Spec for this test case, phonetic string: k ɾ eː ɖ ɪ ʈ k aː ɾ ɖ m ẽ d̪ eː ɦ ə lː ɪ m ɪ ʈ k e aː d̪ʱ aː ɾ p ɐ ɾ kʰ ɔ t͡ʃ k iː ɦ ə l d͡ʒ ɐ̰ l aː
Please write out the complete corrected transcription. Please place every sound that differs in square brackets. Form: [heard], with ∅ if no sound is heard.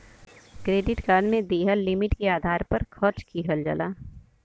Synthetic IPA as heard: k ɾ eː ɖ ɪ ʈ k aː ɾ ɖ m ẽ d̪ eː ɦ ə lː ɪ m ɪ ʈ k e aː d̪ʱ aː ɾ p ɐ ɾ kʰ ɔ t͡ʃ k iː ɦ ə l d͡ʒ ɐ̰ l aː